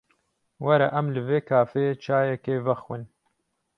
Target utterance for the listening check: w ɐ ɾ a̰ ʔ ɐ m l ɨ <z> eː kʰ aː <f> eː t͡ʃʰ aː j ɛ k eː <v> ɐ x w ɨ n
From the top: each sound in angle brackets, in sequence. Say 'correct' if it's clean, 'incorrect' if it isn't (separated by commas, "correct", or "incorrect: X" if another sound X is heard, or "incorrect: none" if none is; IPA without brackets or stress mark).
incorrect: v, correct, correct